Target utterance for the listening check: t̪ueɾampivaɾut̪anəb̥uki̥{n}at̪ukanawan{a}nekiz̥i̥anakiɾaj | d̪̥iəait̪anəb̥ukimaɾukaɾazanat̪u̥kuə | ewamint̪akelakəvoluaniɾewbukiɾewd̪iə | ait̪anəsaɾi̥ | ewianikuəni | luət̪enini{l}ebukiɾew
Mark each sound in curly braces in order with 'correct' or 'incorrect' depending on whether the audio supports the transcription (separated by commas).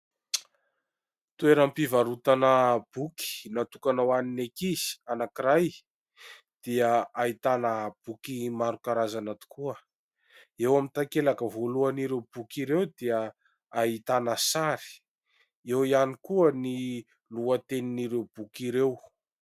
correct, incorrect, incorrect